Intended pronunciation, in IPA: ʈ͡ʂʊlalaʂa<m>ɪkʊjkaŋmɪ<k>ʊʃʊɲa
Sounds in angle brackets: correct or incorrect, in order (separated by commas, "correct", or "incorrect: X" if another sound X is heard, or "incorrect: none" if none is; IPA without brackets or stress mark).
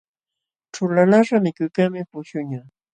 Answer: correct, incorrect: p